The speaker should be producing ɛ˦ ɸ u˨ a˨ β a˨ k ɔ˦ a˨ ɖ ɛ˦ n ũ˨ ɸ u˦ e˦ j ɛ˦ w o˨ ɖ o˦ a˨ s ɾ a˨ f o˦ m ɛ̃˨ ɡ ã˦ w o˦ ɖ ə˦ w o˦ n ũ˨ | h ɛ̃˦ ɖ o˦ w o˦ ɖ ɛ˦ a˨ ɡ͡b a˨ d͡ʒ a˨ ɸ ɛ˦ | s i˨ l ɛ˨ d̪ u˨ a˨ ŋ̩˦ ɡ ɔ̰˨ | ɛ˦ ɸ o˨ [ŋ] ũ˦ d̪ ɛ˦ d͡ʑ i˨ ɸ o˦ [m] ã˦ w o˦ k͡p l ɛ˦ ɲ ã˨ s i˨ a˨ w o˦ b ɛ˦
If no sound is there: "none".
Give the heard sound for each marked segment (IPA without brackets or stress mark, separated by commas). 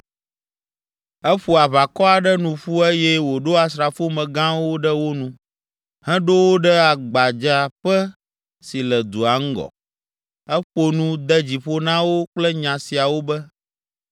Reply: n, n